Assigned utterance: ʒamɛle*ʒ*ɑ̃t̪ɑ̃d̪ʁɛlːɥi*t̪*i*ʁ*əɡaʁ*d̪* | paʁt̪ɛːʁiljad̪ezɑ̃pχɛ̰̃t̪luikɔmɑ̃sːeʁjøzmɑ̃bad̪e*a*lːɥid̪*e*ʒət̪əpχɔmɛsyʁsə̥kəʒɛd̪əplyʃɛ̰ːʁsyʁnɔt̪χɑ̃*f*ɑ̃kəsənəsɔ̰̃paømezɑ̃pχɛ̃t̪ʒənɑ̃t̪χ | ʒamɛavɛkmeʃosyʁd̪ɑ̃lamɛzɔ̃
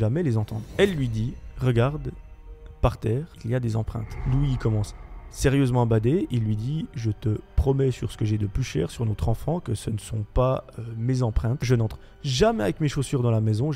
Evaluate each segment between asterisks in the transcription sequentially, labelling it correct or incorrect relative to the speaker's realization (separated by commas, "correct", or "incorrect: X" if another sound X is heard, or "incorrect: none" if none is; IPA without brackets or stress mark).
incorrect: z, incorrect: d̪, correct, correct, incorrect: i, incorrect: i, correct